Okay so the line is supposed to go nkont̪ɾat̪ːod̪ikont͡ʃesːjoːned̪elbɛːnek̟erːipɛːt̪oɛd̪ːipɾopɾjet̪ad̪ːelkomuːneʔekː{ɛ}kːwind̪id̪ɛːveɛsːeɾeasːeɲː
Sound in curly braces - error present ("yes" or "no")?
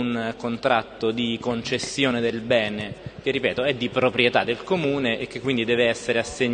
yes